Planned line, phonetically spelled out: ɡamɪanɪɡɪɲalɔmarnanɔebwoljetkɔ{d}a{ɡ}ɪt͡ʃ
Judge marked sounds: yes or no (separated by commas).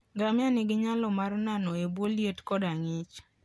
yes, no